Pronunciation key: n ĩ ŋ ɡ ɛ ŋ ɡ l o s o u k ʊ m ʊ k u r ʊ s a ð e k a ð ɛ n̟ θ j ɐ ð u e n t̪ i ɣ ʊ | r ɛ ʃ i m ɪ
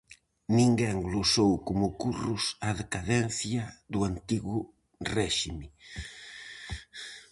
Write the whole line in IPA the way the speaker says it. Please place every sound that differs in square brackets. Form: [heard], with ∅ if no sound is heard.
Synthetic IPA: n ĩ ŋ ɡ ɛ ŋ ɡ l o s o [w] k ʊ m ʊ k u r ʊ s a ð e k a ð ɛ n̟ θ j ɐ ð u [a] n t̪ i ɣ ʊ | r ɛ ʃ i m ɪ

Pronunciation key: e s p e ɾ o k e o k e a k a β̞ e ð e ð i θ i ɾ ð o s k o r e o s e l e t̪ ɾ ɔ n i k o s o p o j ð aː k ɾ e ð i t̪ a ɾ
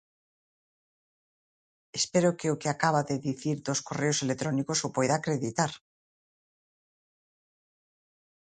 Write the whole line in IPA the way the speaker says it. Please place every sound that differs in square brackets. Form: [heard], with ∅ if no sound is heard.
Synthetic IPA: e s p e ɾ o k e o k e a k a β̞ [a] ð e ð i θ i ɾ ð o s k o r e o s e l e t̪ ɾ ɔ n i k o s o p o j ð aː k ɾ e ð i t̪ a ɾ

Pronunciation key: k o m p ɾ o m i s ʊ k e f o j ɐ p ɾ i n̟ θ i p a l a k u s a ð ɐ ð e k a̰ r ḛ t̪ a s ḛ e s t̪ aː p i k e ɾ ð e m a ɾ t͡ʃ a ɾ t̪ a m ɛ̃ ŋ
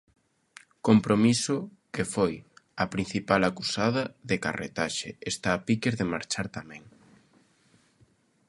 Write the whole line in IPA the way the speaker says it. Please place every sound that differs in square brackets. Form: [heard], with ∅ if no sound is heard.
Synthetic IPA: k o m p ɾ o m i s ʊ k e f o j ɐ p ɾ i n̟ θ i p a l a k u s a ð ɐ ð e k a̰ r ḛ t̪ a [ʃ] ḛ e s t̪ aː p i k e ɾ ð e m a ɾ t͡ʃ a ɾ t̪ a m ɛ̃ ŋ

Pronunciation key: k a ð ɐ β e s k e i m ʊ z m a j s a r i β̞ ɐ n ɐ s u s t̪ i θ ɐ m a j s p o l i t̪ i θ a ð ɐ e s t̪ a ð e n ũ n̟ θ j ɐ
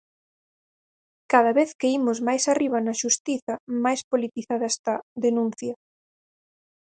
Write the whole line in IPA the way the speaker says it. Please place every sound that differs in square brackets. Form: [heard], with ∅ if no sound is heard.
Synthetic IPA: k a ð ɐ β e [θ] k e i m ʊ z m a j s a r i β̞ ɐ n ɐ [ʃ] u s t̪ i θ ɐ m a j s p o l i t̪ i θ a ð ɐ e s t̪ a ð e n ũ n̟ θ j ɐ

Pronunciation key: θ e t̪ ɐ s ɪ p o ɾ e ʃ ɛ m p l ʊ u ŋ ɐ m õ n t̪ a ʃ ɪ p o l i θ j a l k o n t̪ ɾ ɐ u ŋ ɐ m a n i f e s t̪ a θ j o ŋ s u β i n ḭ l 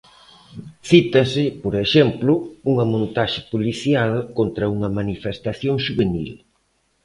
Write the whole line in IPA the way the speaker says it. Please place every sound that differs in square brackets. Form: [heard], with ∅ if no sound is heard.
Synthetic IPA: θ [i] t̪ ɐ s ɪ p o ɾ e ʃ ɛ m p l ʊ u ŋ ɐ m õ n t̪ a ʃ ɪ p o l i θ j a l k o n t̪ ɾ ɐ u ŋ ɐ m a n i f e s t̪ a θ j o ŋ [ʃ] u β [e] n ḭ l

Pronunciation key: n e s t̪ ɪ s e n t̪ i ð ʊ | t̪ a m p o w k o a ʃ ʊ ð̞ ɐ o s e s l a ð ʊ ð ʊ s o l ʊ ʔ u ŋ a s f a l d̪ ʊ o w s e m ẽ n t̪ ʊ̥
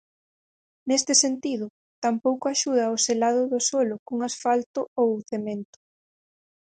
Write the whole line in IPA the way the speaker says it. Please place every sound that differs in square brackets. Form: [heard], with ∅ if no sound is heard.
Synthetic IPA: n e s t̪ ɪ s e n t̪ i ð ʊ | t̪ a m p o w k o a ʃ [u] ð̞ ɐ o s e [∅] l a ð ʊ ð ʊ s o l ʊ [k] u ŋ a s f a l [t̪] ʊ o w [θ] e m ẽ n t̪ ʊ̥

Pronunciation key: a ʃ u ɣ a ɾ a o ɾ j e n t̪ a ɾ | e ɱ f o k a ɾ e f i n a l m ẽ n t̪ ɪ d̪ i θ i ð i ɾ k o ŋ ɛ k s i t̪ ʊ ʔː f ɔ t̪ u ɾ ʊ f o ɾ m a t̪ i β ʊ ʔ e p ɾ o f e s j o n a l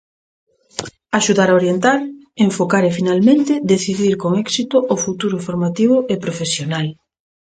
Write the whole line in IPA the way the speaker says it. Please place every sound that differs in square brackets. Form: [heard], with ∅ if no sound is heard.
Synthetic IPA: a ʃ u [ð] a ɾ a o ɾ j e n t̪ a ɾ | e ɱ f o k a ɾ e f i n a l m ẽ n t̪ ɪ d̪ [e] θ i ð i ɾ k o ŋ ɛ k s i t̪ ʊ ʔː f [u] t̪ u ɾ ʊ f o ɾ m a t̪ i β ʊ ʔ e p ɾ o f e s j o n a l

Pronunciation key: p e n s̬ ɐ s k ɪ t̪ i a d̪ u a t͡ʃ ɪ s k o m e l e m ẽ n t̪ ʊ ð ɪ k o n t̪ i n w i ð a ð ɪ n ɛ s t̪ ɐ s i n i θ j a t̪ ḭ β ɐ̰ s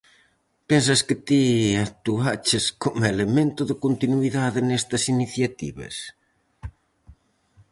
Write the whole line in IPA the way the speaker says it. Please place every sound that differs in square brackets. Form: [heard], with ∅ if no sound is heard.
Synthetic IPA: p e n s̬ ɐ s k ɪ t̪ i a [t̪] u a t͡ʃ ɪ s k o m e l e m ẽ n t̪ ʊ ð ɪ k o n t̪ i n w i ð a ð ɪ n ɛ s t̪ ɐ s i n i θ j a t̪ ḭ β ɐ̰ s

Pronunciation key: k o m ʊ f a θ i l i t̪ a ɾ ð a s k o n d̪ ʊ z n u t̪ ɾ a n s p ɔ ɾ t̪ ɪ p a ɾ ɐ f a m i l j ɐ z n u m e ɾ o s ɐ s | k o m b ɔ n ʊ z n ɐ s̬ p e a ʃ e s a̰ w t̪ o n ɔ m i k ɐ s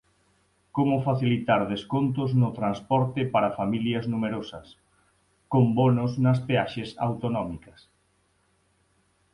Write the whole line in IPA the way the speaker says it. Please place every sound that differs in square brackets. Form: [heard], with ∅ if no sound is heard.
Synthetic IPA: k o m ʊ f a θ i l i t̪ a ɾ ð [e] s k o n [t̪] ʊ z n [ʊ] t̪ ɾ a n s p ɔ ɾ t̪ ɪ p a ɾ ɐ f a m i l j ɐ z n u m e ɾ o s ɐ s | k o m b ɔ n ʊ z n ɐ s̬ p e a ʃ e s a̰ w t̪ o n ɔ m i k ɐ s

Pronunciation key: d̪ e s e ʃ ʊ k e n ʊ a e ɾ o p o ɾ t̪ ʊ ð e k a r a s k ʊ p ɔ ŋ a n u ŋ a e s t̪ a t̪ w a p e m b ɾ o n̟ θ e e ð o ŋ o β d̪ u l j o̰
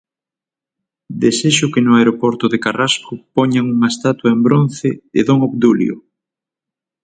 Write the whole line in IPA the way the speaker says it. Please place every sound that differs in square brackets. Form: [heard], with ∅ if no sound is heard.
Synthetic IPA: d̪ e s e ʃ ʊ k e n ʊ a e ɾ o p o ɾ t̪ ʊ ð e k a r a s k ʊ p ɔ [ɲ] a [ŋ] u ŋ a e s t̪ a t̪ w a [∅] e m b ɾ o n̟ θ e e ð o ŋ o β d̪ u l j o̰

